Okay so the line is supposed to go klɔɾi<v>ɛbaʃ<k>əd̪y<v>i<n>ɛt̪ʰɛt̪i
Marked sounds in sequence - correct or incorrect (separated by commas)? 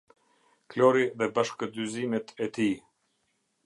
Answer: incorrect, correct, incorrect, incorrect